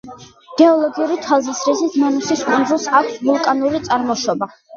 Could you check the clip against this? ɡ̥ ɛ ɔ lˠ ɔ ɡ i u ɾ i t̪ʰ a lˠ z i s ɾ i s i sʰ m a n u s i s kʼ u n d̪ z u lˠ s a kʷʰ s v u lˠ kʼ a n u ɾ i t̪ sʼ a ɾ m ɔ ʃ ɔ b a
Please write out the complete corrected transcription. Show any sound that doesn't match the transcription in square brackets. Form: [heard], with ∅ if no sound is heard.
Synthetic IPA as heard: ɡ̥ ɛ ɔ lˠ ɔ ɡ i u ɾ i t̪ʰ a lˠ z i s ɾ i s i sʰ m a n u s i s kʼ u n d̪ z u lˠ s a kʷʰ s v u lˠ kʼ a n u ɾ i t̪ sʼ a ɾ m ɔ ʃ ɔ b a

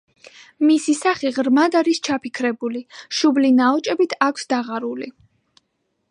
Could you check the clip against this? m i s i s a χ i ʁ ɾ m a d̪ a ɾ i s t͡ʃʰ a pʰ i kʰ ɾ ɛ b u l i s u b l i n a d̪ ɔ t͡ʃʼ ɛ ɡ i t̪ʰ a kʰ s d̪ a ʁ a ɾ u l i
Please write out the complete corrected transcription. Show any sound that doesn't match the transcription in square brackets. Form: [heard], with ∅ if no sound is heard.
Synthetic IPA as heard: m i s i s a χ i ʁ ɾ m a d̪ a ɾ i s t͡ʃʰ a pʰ i kʰ ɾ ɛ b u l i [ʃ] u b l i n a [∅] ɔ t͡ʃʼ ɛ [b] i t̪ʰ a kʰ s d̪ a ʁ a ɾ u l i

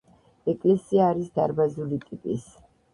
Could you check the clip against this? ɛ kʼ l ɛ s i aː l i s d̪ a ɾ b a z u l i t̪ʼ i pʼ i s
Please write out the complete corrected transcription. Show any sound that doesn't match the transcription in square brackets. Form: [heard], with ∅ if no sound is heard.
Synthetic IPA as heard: ɛ kʼ l ɛ s i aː [ɾ] i s d̪ a ɾ b a z u l i t̪ʼ i pʼ i s

